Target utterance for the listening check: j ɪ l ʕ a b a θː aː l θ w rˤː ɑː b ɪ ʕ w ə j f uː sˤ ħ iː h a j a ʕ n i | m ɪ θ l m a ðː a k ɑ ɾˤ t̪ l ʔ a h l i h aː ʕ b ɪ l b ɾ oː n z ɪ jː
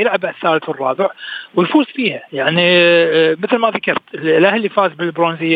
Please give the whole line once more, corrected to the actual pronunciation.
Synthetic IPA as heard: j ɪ l ʕ a b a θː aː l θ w rˤː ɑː b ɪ ʕ w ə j f uː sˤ f iː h a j a ʕ n i | m ɪ θ l m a ð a k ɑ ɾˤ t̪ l ʔ a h l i f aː z b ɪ l b ɾ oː n z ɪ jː